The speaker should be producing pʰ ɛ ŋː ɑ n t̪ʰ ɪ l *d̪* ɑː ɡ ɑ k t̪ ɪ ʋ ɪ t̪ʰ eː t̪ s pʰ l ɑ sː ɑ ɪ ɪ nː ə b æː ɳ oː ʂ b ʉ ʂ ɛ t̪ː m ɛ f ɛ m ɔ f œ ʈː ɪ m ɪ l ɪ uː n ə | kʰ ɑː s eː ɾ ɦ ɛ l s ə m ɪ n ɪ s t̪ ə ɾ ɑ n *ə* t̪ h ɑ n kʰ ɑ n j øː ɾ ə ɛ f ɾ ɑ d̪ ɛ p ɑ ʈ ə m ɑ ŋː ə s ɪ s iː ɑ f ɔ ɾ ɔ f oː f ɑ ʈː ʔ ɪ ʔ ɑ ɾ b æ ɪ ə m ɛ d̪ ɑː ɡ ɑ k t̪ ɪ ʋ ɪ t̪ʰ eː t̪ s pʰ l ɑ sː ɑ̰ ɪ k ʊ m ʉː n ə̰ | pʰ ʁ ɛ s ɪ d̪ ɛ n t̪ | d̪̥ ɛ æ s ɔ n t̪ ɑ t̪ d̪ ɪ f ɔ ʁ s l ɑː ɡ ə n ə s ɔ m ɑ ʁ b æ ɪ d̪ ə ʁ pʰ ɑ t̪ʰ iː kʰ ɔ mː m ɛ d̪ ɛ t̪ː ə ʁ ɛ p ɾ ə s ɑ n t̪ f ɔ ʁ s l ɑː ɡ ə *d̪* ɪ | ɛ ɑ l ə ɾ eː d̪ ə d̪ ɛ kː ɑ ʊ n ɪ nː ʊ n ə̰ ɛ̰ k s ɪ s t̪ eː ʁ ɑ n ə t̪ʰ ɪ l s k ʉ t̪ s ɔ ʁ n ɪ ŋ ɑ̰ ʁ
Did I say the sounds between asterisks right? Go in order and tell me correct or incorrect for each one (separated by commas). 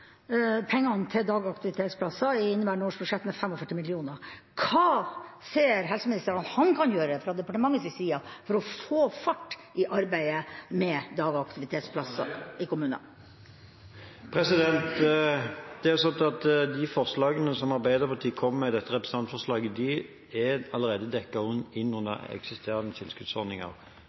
correct, incorrect, correct